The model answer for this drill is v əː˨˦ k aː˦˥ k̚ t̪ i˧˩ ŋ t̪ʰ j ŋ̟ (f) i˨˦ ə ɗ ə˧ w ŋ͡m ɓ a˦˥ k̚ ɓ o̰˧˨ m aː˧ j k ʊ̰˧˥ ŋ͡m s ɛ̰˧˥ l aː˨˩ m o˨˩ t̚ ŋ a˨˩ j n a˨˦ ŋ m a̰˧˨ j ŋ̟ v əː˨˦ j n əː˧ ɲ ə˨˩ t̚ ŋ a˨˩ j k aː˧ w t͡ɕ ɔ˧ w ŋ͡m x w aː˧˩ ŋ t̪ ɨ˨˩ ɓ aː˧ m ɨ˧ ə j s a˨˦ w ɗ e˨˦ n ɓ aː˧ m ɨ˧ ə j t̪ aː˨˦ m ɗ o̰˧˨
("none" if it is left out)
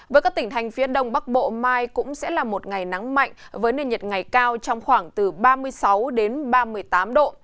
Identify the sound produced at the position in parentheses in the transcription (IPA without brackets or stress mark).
f